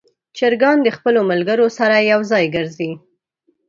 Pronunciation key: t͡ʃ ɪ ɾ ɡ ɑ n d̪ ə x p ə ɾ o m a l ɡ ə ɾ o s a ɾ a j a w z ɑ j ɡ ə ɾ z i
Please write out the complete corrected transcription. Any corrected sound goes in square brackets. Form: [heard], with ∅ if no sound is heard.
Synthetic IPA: t͡ʃ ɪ ɾ ɡ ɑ n d̪ ə x p ə [l] o m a l ɡ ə ɾ o s a ɾ a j a w z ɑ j ɡ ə ɾ z i